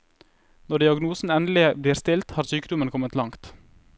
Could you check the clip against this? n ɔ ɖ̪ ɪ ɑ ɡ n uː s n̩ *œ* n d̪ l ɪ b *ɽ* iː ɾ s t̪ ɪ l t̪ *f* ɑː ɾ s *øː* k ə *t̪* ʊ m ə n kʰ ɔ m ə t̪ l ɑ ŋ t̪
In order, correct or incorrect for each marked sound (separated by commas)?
incorrect, incorrect, incorrect, incorrect, incorrect